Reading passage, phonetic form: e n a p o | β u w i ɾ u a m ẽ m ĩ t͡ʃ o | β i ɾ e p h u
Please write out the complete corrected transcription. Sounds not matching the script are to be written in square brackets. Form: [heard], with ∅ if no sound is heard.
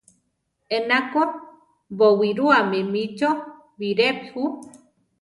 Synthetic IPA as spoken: e n a [k] o | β [o] w i ɾ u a m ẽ m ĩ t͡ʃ o | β i ɾ e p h u